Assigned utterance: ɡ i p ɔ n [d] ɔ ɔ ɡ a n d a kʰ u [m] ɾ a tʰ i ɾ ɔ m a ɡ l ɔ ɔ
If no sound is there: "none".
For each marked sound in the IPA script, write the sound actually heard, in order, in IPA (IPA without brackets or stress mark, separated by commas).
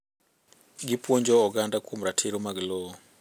d͡ʒ, m